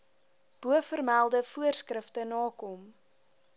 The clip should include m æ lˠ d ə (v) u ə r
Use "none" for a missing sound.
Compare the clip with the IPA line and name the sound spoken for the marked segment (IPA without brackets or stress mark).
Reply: f